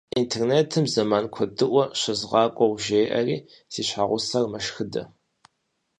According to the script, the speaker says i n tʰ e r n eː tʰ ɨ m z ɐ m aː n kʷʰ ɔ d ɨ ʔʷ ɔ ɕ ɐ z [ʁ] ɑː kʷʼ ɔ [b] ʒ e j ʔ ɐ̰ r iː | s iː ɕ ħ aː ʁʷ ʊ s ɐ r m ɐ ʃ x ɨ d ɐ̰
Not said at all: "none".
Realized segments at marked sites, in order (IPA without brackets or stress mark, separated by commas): ʁ, w